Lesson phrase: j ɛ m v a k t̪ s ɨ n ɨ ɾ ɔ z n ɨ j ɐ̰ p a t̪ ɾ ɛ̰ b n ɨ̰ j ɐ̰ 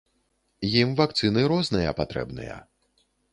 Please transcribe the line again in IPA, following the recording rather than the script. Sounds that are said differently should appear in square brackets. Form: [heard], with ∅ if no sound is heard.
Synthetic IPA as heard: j [i] m v a k t̪ s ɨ n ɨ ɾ ɔ z n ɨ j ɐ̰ p a t̪ ɾ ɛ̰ b n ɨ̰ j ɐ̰

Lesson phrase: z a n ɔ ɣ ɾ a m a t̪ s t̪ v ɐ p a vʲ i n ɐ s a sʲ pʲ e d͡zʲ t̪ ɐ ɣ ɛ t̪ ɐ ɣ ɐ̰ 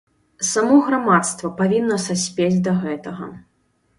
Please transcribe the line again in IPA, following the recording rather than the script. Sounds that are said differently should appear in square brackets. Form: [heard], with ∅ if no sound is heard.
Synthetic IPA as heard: [s] a [m] ɔ ɣ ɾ a m a t̪ s t̪ v ɐ p a vʲ i [nː] ɐ s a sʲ pʲ e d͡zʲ [d̪] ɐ ɣ ɛ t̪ ɐ ɣ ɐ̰

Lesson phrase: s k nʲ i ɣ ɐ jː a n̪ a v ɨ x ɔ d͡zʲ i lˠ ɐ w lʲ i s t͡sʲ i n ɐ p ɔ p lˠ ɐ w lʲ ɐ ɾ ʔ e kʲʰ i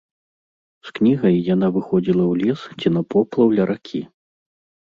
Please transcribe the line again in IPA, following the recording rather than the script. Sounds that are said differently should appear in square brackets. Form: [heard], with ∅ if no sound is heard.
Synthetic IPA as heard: s k nʲ i ɣ ɐ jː a n̪ a v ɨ x ɔ d͡zʲ i lˠ ɐ w lʲ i s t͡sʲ i n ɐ p ɔ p lˠ ɐ w lʲ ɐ ɾ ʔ [a] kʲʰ i

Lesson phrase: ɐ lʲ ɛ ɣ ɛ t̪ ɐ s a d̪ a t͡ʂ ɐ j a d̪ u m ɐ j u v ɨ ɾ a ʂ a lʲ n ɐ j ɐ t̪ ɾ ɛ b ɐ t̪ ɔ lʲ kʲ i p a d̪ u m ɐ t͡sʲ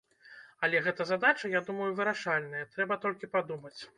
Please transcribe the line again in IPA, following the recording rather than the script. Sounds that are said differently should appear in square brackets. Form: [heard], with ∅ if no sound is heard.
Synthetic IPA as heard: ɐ lʲ ɛ ɣ ɛ t̪ ɐ [z] a d̪ a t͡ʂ ɐ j a d̪ u m ɐ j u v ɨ ɾ a ʂ a lʲ n ɐ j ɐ t̪ ɾ ɛ b ɐ t̪ ɔ lʲ kʲ i p a d̪ u m ɐ t͡sʲ

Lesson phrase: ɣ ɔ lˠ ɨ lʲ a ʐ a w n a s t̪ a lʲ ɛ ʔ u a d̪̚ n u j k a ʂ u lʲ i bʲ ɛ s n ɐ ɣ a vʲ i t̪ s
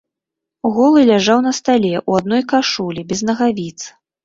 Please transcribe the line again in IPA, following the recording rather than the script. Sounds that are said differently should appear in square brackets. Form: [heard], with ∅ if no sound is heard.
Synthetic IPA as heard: ɣ ɔ lˠ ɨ lʲ a ʐ a w n [ɐ] s t̪ a lʲ ɛ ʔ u a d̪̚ n [ɔ] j k a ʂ u lʲ i bʲ ɛ [z] n ɐ ɣ a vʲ i t̪ s

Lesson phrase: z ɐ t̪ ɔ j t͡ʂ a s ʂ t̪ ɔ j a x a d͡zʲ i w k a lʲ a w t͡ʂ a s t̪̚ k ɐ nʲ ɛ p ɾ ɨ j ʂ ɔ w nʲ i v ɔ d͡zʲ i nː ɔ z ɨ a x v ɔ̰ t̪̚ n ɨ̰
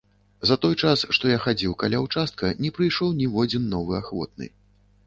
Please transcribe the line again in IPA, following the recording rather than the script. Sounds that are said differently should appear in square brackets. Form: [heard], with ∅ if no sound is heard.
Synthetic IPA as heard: z ɐ t̪ ɔ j t͡ʂ a s ʂ t̪ ɔ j a x a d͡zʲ i w k a lʲ a w t͡ʂ a s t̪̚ k ɐ nʲ ɛ p ɾ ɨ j ʂ ɔ w nʲ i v ɔ d͡zʲ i nː ɔ [v] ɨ a x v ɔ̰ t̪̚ n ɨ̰

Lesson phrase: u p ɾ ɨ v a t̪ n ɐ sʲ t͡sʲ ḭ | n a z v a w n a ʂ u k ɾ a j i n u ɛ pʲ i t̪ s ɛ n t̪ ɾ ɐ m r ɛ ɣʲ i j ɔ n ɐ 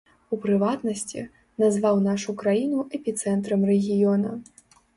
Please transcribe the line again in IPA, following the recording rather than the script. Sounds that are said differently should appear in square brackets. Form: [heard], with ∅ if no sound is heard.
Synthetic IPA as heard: u p ɾ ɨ v a t̪ n ɐ sʲ t͡sʲ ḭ | n a z v a w n a ʂ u k ɾ a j i n u ɛ pʲ i t̪ s ɛ n t̪ ɾ ɐ m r ɛ ɣʲ i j ɔ n ɐ

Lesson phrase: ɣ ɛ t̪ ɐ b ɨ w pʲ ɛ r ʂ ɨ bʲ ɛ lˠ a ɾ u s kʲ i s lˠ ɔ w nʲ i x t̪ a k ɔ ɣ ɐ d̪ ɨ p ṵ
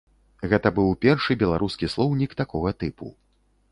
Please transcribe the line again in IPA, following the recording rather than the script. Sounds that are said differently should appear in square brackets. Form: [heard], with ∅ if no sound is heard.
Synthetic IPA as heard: ɣ ɛ t̪ ɐ b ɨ w pʲ ɛ r ʂ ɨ bʲ ɛ lˠ a ɾ u s kʲ i s lˠ ɔ w nʲ i [k] t̪ a k ɔ ɣ ɐ [t̪] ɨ p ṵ

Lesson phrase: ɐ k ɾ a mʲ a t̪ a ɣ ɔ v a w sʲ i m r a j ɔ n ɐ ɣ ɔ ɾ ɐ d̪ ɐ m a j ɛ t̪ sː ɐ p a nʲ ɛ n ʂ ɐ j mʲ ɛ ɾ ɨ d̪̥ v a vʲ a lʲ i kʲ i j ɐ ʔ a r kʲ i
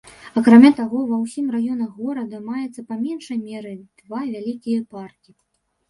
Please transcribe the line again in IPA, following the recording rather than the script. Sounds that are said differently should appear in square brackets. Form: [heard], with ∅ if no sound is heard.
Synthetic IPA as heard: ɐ k ɾ a mʲ a t̪ a ɣ ɔ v [ɐ] w sʲ i m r a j ɔ n ɐ ɣ ɔ ɾ ɐ d̪ ɐ m a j ɛ t̪ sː ɐ p a [mʲ] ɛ n ʂ ɐ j mʲ ɛ ɾ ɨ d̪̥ v a vʲ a lʲ i kʲ i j ɐ [p] a r kʲ i

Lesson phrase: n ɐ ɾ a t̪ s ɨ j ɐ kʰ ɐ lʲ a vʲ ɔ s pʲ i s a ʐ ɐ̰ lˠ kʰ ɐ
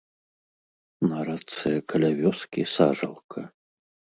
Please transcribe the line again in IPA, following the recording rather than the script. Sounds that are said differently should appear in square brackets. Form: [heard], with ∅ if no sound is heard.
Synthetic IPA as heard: n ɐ ɾ a t̪ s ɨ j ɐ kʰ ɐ lʲ a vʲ ɔ s [kʲ] i s a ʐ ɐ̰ lˠ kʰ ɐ

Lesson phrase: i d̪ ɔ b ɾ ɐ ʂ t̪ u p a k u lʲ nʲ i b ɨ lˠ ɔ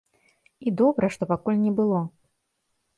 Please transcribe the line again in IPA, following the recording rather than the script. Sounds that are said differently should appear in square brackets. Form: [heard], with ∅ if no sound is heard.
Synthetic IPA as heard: i d̪ ɔ b ɾ ɐ ʂ t̪ [ɔ] p a k u lʲ nʲ [ɛ] b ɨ lˠ ɔ

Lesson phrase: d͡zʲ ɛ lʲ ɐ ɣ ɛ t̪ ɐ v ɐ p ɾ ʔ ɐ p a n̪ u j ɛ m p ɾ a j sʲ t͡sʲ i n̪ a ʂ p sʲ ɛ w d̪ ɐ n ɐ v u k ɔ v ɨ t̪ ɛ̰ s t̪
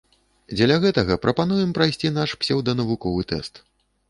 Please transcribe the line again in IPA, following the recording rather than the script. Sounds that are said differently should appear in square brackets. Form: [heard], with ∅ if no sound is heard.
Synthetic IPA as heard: d͡zʲ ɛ lʲ ɐ ɣ ɛ t̪ ɐ [ɣ] ɐ p ɾ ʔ ɐ p a n̪ u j ɛ m p ɾ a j sʲ t͡sʲ i n̪ a ʂ p sʲ ɛ w d̪ ɐ n ɐ v u k ɔ v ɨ t̪ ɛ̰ s t̪

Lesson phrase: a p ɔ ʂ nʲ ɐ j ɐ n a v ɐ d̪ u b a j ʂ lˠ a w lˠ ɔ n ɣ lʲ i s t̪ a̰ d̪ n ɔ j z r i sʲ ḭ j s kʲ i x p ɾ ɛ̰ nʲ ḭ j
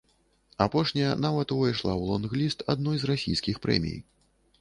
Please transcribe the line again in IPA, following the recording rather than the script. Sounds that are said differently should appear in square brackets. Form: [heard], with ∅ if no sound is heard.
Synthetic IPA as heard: a p ɔ ʂ nʲ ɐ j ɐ n a v ɐ [t̪] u [v] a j ʂ lˠ a w lˠ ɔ n ɣ lʲ i s t̪ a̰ d̪ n ɔ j z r [a] sʲ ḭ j s kʲ i x p ɾ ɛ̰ [mʲ] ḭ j

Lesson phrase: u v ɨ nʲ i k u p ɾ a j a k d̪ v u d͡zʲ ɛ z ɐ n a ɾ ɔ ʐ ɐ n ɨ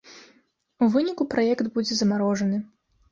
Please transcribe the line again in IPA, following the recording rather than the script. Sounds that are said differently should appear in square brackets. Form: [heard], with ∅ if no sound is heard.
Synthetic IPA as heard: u v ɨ nʲ i k u p ɾ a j [ɛ] k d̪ [b] u d͡zʲ ɛ z ɐ [m] a ɾ ɔ ʐ ɐ n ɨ

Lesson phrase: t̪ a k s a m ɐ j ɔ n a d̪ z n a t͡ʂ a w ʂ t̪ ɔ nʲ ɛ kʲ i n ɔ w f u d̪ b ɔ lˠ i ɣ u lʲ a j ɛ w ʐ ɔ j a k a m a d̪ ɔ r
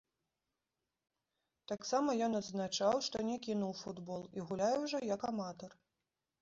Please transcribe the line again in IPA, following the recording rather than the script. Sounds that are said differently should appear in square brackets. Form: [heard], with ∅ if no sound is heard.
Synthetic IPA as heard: t̪ a k s a m ɐ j ɔ n [ɐ] d̪ z n a t͡ʂ a w ʂ t̪ ɔ nʲ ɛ kʲ i n [u] w f u d̪ b ɔ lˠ i ɣ u lʲ a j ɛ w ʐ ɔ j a k a m a [t̪] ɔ r

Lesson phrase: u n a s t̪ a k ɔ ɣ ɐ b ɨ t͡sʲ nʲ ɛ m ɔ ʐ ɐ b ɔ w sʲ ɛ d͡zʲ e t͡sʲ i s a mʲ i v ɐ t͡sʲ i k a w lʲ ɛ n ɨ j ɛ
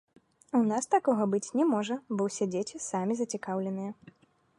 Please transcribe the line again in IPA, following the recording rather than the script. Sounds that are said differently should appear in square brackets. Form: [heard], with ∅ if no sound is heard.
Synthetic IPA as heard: u n a s t̪ a k ɔ ɣ ɐ b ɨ t͡sʲ nʲ ɛ m ɔ ʐ ɐ b ɔ w sʲ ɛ d͡zʲ e t͡sʲ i s a mʲ i [z] ɐ t͡sʲ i k a w lʲ ɛ n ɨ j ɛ

